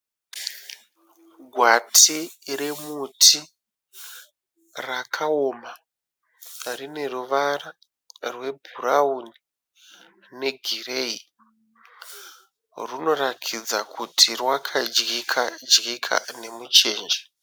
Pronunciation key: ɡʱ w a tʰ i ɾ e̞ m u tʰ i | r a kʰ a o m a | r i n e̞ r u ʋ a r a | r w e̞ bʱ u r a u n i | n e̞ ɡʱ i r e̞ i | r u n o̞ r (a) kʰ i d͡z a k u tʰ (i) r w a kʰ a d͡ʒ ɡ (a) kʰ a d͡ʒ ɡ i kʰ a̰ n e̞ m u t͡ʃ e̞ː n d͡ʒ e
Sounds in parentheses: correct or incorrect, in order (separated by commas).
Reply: correct, correct, incorrect